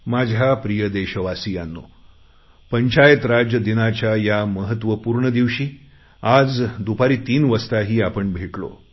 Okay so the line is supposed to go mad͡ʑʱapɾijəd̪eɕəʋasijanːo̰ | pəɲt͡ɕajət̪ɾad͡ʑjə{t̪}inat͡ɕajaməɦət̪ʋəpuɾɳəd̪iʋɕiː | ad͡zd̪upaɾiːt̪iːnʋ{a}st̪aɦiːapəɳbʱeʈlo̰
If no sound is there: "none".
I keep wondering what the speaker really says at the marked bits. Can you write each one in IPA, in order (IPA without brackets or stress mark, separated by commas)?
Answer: d̪, ə